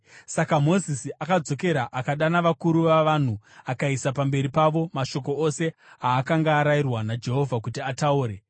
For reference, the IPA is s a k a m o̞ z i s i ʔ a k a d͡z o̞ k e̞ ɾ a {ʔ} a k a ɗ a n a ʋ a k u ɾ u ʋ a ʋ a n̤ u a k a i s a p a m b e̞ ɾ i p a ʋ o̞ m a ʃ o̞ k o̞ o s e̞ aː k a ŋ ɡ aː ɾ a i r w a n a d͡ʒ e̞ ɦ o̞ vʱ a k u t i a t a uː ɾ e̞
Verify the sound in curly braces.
correct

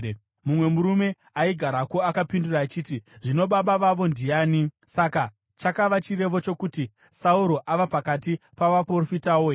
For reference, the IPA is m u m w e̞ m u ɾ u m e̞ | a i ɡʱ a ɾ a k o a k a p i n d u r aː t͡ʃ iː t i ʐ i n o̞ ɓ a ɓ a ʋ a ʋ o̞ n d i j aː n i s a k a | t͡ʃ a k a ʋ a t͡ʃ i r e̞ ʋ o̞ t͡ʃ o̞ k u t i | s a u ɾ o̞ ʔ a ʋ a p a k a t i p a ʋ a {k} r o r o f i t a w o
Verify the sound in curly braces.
incorrect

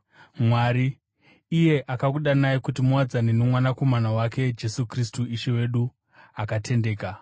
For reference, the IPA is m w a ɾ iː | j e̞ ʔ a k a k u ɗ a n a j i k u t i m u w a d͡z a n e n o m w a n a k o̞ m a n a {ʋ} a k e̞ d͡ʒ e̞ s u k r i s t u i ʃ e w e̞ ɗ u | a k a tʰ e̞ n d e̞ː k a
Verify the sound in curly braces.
incorrect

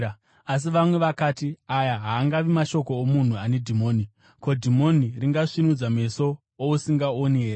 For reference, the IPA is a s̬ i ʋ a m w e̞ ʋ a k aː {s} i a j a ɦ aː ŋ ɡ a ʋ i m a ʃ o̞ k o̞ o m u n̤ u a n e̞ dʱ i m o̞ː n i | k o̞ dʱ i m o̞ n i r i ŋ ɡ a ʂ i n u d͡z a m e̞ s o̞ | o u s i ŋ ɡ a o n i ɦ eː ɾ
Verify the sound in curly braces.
incorrect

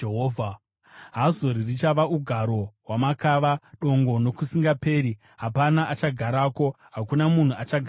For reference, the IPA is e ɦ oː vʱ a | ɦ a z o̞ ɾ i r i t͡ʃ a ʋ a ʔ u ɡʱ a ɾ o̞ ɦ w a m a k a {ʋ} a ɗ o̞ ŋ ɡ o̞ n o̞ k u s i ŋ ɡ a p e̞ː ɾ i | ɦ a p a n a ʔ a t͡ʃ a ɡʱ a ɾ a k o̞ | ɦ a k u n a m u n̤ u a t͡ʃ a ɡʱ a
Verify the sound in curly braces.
correct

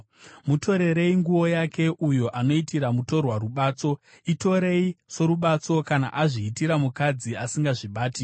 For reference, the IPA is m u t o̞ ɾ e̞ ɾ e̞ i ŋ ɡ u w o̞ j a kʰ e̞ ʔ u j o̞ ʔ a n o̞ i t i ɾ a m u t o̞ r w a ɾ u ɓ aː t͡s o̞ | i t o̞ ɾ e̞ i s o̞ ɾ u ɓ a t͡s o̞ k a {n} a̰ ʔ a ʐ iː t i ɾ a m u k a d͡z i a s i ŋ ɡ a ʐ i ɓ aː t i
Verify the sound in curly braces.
correct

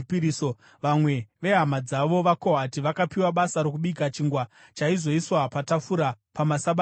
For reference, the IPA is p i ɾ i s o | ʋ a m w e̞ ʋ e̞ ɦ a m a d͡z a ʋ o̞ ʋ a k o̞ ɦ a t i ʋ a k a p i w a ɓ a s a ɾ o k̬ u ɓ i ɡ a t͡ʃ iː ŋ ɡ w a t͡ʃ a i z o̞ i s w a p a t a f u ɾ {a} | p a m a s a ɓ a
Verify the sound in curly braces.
correct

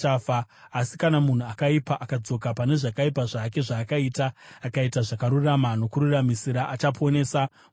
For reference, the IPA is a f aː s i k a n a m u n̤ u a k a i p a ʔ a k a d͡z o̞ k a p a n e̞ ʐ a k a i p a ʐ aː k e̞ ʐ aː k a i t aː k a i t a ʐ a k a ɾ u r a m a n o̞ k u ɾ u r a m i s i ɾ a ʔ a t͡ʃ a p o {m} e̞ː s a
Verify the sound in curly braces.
incorrect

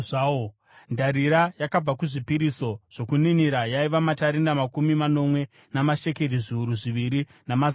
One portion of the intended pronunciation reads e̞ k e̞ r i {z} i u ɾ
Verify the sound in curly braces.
incorrect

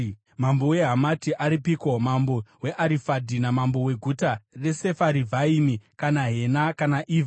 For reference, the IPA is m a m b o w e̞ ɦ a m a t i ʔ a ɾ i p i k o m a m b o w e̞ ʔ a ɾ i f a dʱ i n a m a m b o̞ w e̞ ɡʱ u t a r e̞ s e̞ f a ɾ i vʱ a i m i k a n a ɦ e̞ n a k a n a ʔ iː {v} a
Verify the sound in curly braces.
correct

